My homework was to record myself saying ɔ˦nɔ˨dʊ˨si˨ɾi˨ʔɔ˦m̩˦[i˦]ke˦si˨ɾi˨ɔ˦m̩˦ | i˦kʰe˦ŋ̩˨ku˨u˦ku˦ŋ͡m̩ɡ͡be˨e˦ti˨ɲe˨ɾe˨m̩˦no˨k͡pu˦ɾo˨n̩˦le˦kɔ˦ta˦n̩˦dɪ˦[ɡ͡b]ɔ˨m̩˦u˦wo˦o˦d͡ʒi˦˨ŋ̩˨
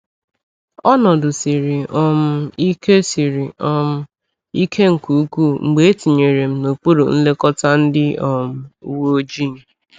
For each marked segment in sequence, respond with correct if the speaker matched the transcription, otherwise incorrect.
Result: correct, incorrect

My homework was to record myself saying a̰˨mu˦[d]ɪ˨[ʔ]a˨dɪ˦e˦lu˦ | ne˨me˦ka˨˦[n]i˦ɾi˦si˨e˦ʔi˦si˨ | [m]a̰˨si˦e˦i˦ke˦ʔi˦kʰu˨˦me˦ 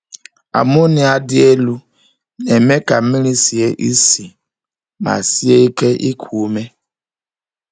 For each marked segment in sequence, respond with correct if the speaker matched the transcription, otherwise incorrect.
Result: incorrect, incorrect, incorrect, correct

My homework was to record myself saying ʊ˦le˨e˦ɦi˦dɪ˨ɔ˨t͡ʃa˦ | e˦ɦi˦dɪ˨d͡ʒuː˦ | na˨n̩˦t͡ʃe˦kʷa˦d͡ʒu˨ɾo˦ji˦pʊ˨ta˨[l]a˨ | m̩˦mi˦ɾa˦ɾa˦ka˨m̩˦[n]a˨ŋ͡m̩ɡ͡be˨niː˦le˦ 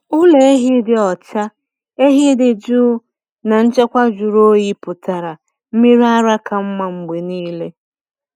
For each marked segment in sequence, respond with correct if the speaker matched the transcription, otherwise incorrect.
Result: incorrect, incorrect

